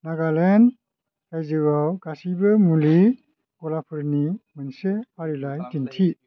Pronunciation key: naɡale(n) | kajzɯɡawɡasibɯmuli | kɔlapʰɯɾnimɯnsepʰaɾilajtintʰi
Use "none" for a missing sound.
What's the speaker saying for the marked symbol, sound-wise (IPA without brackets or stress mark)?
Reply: n